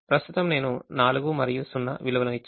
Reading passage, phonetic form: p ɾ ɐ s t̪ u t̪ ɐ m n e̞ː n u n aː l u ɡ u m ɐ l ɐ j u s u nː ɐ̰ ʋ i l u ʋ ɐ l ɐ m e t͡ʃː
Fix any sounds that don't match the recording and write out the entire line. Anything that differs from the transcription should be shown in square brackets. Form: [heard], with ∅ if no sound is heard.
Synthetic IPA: p ɾ ɐ s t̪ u t̪ ɐ m n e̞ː n u n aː l u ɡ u m ɐ [ɾ] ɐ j u s u nː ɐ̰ ʋ i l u ʋ ɐ l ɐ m [i] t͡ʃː